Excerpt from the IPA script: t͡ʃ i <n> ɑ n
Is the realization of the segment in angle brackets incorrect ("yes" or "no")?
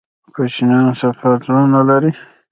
no